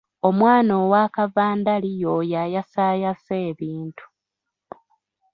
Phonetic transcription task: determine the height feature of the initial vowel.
mid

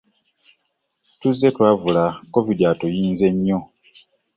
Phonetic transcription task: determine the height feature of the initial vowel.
high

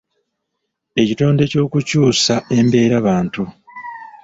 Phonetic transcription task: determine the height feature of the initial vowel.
mid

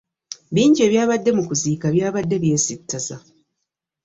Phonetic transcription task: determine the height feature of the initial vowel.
high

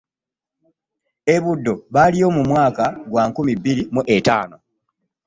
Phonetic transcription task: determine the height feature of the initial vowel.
mid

